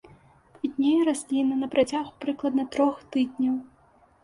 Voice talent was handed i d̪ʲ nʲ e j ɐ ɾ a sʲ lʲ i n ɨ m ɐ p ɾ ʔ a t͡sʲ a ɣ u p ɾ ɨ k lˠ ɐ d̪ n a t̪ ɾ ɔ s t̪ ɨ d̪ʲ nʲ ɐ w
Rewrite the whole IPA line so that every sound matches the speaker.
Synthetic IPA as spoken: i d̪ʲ nʲ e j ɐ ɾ a sʲ lʲ i n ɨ n ɐ p ɾ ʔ a t͡sʲ a ɣ u p ɾ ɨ k lˠ ɐ d̪ n ɐ t̪ ɾ ɔ x t̪ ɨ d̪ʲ nʲ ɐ w